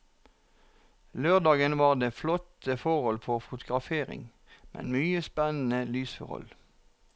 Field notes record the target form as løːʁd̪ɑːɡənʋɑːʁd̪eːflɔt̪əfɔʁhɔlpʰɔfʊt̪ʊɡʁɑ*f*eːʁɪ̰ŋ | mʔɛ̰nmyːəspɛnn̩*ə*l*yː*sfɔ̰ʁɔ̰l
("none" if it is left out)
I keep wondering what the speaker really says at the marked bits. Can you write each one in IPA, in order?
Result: f, ə, yː

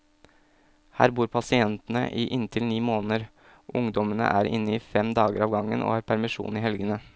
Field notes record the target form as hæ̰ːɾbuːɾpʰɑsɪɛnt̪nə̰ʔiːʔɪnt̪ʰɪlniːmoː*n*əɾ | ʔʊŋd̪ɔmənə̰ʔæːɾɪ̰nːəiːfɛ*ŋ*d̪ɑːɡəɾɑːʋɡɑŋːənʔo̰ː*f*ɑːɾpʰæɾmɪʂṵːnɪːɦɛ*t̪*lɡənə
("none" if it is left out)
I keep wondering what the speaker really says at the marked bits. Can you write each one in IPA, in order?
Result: n, m, h, none

